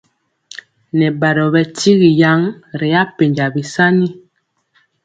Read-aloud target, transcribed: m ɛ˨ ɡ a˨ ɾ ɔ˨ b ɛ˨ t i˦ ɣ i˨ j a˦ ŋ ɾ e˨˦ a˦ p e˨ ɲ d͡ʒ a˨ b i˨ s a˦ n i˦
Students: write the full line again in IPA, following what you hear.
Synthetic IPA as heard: n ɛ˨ b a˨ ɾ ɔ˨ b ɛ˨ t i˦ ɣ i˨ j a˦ ŋ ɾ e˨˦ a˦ p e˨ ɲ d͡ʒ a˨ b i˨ s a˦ n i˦

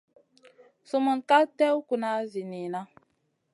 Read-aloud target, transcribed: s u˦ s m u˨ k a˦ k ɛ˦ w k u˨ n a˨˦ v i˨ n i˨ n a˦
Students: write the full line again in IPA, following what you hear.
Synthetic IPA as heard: s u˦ m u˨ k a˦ t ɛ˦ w k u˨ n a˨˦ z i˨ n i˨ n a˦

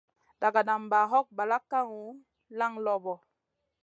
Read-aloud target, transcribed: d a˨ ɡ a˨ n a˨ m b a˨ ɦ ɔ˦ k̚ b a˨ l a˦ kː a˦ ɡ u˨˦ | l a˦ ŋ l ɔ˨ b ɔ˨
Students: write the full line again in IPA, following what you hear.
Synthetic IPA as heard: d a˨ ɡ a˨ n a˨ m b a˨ ɦ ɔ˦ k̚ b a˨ l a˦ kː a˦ ŋ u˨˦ | l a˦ ŋ l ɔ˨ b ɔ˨

